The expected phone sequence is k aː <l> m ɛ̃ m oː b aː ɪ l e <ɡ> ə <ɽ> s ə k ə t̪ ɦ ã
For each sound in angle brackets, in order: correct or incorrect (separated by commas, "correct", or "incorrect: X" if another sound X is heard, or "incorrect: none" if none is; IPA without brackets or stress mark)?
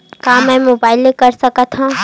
incorrect: none, incorrect: k, incorrect: ɾ